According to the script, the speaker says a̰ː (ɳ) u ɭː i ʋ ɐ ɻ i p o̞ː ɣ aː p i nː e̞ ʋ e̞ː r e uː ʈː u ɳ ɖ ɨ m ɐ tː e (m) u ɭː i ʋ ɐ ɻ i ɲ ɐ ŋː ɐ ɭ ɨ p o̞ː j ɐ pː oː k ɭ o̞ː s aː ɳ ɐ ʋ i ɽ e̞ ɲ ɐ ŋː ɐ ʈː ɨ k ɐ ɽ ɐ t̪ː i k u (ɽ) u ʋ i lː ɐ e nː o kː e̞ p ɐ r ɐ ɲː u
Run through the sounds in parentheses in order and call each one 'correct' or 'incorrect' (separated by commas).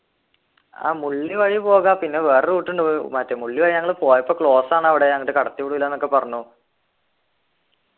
incorrect, correct, correct